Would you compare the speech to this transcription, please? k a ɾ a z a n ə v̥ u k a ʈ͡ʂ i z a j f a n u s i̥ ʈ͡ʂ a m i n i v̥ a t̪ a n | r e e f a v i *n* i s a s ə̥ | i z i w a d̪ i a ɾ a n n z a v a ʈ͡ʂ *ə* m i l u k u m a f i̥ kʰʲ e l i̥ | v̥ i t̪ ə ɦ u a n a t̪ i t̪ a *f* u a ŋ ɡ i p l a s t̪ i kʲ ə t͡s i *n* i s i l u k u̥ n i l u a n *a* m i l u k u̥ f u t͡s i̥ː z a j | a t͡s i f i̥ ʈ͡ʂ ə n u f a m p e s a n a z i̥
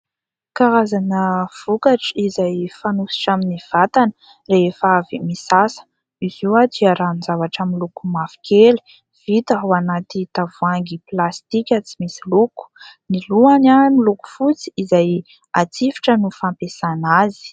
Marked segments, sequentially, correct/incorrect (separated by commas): incorrect, incorrect, incorrect, incorrect, correct